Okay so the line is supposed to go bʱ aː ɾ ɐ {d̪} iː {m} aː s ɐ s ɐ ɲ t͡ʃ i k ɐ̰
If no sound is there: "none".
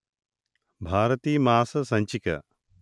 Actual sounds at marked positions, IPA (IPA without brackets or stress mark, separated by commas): t̪, m